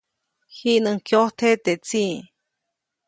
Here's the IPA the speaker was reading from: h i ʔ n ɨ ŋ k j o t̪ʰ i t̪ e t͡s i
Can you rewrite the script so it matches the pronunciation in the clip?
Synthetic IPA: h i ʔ n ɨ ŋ k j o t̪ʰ e t̪ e t͡s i